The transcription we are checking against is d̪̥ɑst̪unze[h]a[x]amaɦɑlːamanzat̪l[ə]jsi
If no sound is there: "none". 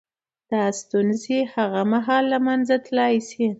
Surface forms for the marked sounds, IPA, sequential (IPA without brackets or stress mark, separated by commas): h, ɣ, ɑ